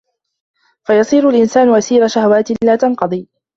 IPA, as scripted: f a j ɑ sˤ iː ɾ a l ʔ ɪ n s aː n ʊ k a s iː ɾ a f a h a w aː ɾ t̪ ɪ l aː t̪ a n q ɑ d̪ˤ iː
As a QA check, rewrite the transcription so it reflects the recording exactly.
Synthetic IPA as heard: f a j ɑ sˤ iː ɾ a l ʔ ɪ n s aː n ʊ ʔ a s iː ɾ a ʃ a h a w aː t̪ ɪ l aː t̪ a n q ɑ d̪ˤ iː